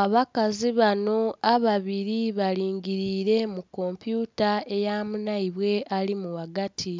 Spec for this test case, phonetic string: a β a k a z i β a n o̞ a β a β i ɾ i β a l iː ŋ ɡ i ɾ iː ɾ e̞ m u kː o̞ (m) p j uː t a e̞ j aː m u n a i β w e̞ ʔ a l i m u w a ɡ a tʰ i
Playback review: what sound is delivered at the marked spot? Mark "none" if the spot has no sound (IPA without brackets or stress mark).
m